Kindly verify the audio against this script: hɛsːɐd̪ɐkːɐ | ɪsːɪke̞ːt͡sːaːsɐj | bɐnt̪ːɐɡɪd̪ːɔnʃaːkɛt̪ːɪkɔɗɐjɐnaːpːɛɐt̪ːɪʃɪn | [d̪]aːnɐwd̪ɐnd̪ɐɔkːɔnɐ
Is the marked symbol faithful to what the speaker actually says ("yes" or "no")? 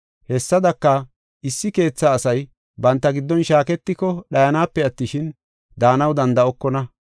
yes